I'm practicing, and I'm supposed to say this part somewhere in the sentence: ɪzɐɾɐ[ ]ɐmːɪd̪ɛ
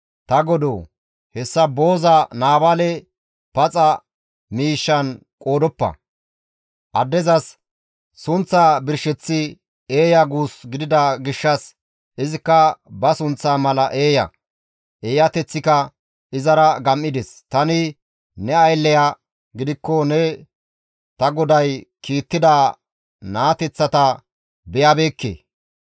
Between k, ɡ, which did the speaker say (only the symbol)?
ɡ